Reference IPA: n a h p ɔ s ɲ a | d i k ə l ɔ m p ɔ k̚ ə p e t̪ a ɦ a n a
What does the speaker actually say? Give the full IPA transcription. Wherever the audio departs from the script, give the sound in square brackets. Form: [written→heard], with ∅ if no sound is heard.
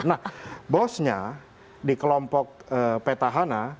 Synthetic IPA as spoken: n a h [p→b] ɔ s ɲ a | d i k ə l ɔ m p ɔ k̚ ə p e t̪ a ɦ a n a